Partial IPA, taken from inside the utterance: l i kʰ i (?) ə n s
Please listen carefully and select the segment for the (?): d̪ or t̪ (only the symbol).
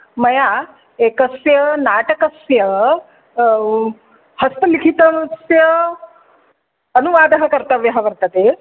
t̪